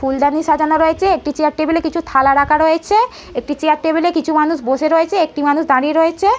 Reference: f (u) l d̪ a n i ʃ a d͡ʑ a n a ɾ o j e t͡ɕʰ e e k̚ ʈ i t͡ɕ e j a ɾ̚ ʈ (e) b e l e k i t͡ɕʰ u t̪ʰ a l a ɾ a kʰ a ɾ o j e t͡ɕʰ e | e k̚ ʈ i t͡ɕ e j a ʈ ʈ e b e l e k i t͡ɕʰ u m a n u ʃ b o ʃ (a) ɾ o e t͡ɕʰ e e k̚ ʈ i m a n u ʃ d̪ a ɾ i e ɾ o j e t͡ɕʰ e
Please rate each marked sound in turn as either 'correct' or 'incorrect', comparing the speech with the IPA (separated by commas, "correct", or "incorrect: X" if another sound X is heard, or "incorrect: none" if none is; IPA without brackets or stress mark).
correct, correct, incorrect: e